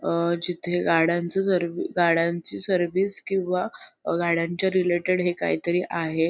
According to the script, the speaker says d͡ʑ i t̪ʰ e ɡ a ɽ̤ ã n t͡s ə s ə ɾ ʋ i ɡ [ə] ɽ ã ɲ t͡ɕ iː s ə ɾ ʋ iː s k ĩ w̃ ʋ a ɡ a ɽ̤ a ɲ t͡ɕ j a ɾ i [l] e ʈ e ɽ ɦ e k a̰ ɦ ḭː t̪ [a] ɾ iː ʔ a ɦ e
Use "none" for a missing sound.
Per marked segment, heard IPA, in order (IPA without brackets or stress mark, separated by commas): a, l, ə